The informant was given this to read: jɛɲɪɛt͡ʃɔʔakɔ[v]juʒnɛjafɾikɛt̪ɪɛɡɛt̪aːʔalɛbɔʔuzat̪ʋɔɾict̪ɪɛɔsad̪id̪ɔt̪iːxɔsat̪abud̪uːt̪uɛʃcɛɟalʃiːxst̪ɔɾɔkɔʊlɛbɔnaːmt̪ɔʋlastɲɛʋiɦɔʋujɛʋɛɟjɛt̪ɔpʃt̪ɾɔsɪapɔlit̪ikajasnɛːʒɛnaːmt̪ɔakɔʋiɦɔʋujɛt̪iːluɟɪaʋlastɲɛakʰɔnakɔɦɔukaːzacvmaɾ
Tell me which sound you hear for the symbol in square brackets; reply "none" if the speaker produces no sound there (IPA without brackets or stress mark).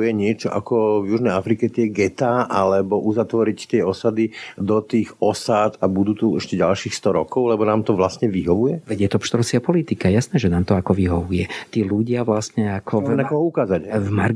v